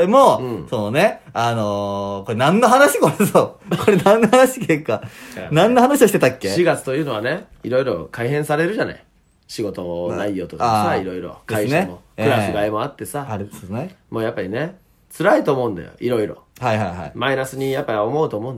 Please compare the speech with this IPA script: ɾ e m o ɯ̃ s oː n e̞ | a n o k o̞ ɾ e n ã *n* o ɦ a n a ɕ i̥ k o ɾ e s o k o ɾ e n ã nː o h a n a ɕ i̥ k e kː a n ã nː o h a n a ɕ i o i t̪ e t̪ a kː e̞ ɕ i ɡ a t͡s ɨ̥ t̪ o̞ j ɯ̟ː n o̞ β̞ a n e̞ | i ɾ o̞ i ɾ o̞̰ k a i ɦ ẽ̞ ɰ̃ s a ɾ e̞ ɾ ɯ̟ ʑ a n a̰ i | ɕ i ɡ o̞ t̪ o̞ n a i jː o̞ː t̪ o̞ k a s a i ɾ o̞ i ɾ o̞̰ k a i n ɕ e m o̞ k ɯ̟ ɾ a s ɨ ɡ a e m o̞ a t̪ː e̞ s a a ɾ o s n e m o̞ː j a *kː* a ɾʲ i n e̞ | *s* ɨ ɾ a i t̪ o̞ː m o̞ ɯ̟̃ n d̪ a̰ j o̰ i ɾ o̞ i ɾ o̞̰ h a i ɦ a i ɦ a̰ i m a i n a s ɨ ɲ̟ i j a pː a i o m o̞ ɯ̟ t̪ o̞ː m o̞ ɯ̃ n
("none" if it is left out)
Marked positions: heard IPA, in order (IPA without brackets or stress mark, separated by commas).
nː, pː, t͡s